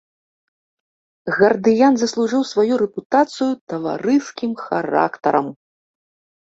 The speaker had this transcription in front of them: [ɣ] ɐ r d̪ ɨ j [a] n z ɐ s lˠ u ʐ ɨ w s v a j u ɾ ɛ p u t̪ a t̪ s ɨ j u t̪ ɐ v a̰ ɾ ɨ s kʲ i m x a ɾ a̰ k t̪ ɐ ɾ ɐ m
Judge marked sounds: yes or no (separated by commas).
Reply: yes, yes